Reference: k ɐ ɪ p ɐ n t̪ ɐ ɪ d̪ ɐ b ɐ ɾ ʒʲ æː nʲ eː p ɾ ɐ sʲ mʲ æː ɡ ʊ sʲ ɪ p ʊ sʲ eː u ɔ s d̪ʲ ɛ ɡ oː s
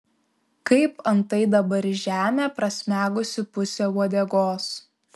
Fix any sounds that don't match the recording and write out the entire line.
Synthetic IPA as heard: k ɐ ɪ p ɐ n t̪ ɐ ɪ d̪ ɐ b ɐ ɾ ʒʲ æː mʲ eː p ɾ ɐ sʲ mʲ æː ɡ ʊ sʲ ɪ p ʊ sʲ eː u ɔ d̪ʲ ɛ ɡ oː s